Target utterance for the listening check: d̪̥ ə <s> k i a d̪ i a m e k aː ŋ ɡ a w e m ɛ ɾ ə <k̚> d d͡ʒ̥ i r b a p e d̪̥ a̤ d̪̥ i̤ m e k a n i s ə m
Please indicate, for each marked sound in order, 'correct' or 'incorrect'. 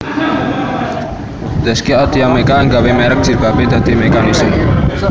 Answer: correct, correct

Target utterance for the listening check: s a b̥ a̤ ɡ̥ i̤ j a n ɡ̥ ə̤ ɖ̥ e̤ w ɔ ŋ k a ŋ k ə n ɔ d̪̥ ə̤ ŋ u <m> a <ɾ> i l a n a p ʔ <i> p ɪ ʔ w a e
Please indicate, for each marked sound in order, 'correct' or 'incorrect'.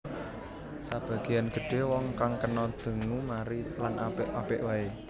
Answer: correct, correct, incorrect: a

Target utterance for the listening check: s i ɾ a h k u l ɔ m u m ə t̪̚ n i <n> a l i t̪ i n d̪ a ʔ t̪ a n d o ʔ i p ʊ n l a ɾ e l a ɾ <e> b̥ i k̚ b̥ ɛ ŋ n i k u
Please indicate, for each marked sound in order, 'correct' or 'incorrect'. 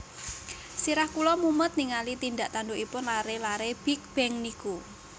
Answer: incorrect: ŋ, correct

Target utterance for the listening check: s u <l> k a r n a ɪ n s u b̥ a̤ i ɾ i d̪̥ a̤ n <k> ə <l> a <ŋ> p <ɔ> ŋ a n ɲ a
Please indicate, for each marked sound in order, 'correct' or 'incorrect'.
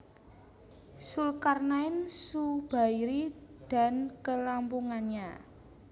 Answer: correct, correct, correct, incorrect: m, incorrect: u

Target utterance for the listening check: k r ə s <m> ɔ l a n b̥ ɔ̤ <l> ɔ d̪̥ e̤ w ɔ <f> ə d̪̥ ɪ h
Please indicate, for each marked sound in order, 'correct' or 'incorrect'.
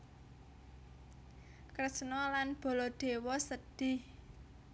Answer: incorrect: n, correct, incorrect: s

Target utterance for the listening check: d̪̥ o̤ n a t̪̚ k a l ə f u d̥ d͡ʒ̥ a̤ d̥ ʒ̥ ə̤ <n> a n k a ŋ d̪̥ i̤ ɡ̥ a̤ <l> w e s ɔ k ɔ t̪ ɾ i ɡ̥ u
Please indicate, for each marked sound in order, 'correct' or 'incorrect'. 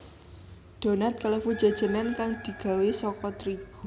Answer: correct, incorrect: none

